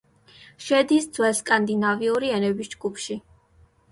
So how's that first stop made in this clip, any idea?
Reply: plain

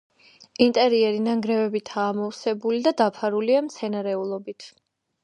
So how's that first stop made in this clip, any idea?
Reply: ejective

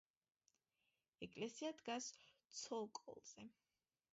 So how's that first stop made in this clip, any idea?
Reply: ejective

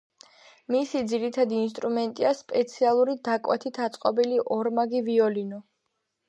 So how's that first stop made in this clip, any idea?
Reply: plain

